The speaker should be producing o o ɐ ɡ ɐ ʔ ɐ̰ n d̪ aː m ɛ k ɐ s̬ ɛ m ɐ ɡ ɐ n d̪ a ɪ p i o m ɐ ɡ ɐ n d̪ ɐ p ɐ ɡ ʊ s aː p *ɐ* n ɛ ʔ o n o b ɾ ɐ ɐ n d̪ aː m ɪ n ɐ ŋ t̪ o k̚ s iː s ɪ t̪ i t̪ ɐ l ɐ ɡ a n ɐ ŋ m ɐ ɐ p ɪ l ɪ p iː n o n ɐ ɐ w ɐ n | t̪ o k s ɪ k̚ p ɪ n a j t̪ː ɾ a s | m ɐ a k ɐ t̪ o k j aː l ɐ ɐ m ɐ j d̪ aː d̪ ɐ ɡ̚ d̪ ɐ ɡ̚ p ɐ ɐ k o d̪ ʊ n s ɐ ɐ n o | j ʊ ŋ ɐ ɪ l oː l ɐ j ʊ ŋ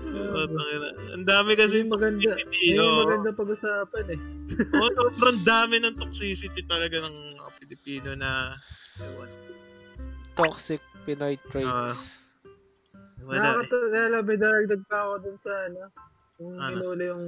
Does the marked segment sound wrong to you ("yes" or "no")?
no